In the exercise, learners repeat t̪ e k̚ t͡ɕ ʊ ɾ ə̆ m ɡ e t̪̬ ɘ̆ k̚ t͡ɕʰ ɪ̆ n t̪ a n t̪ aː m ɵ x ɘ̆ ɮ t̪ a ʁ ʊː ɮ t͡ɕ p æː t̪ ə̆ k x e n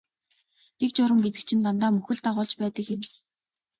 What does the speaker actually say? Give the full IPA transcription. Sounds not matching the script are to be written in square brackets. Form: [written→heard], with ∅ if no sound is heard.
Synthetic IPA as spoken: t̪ e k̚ t͡ɕ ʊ ɾ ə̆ m ɡ e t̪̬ ɘ̆ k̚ t͡ɕʰ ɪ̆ n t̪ a n t̪ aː m ɵ x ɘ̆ ɮ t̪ a ʁ ʊː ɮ t͡ɕ p æː t̪ ə̆ k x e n